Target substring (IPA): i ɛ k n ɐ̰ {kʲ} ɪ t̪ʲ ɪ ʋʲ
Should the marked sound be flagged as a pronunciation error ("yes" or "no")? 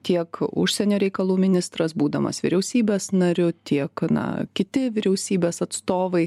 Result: no